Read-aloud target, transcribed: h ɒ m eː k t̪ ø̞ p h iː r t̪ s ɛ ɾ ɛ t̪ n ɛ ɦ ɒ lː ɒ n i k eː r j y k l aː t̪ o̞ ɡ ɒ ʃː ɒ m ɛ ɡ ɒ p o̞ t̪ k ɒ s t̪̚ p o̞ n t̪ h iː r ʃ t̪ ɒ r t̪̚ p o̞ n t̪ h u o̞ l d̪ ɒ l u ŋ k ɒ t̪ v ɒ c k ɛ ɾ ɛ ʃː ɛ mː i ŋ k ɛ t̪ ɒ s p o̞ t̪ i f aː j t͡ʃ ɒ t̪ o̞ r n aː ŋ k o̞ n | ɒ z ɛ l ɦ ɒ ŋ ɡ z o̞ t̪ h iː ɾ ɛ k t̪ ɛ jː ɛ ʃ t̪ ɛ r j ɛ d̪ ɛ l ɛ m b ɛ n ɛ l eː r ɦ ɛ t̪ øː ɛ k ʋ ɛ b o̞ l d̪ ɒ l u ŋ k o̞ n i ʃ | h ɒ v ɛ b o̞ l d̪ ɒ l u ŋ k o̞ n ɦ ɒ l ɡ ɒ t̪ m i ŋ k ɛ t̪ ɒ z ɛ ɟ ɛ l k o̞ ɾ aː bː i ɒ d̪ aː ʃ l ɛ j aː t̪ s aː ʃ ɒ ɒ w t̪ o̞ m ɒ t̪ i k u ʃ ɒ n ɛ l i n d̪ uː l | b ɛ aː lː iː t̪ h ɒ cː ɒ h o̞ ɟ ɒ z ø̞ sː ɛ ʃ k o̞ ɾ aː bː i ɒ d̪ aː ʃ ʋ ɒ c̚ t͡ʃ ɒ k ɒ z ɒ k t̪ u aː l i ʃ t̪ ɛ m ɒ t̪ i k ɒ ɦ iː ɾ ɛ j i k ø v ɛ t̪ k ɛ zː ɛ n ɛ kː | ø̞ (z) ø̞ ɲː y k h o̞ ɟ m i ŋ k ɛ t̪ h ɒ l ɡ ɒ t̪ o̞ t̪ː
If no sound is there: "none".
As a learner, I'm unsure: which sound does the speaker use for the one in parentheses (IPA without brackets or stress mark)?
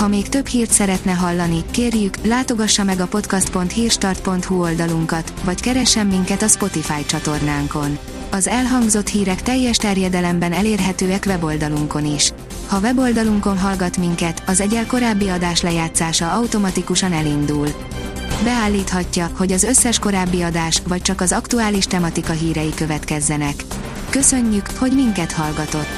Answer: s